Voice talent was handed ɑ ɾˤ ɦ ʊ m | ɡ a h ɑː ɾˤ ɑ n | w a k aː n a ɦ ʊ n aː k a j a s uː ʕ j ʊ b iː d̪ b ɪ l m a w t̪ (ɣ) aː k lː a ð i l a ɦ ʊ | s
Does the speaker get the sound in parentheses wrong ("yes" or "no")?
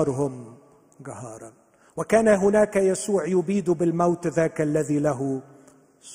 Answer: yes